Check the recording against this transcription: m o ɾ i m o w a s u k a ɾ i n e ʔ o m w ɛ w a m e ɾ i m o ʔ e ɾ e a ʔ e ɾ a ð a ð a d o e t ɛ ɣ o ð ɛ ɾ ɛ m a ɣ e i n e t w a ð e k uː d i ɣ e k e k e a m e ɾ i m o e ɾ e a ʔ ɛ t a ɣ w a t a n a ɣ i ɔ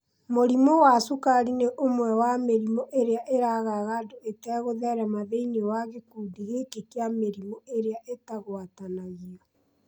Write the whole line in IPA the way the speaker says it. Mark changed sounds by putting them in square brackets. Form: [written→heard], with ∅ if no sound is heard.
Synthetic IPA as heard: m o ɾ i m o w a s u k a ɾ i n e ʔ o m w ɛ w a m e ɾ i m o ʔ e ɾ e a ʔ e ɾ a [ð→ɣ] a [ð→ɣ] a d o e t ɛ ɣ o ð ɛ ɾ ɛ m a [ɣ→ð] e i n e [t→∅] w a [ð→ɣ] e k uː d i ɣ e k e k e a m e ɾ i m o e ɾ e a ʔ [ɛ→e] t a ɣ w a t a n a ɣ i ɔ